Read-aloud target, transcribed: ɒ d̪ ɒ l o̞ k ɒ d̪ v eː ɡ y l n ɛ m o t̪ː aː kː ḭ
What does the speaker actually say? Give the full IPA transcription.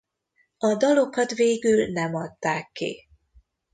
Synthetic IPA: ɒ d̪ ɒ l o̞ k ɒ t̪ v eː ɡ y l n ɛ m ɒ t̪ː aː kː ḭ